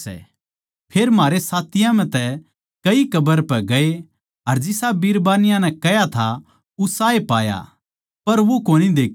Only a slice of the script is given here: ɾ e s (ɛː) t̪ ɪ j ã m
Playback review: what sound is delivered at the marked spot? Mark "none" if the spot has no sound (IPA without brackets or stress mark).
aː